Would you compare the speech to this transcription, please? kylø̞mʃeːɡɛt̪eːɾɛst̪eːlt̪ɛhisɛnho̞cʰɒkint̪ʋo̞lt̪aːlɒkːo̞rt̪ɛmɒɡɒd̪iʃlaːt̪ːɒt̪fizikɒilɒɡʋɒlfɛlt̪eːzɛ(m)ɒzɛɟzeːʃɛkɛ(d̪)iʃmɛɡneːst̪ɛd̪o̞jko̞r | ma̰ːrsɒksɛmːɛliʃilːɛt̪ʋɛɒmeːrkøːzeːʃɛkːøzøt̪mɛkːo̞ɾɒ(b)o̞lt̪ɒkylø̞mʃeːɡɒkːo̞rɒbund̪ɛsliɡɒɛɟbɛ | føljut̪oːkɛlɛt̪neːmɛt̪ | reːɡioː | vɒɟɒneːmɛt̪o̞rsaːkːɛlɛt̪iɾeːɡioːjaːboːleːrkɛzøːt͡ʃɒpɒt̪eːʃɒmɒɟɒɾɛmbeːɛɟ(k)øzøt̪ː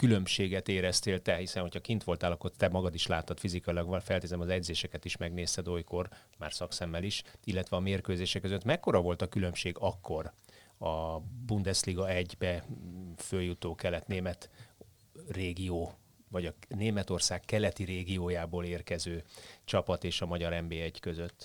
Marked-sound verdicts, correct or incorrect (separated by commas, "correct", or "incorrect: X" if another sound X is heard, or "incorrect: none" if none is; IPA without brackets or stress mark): correct, incorrect: t̪, incorrect: v, correct